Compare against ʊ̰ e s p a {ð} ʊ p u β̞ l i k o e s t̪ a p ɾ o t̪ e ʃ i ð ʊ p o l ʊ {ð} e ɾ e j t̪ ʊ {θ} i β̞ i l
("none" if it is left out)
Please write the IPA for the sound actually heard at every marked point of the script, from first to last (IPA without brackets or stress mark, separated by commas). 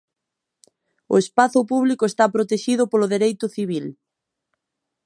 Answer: θ, ð, θ